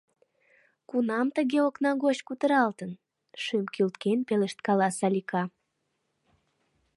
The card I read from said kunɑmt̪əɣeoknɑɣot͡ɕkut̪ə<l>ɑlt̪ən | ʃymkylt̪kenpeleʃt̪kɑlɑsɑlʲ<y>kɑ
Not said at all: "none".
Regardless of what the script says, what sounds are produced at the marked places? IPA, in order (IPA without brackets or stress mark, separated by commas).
ɾ, i